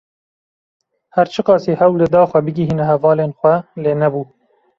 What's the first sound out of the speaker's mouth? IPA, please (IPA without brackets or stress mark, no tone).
h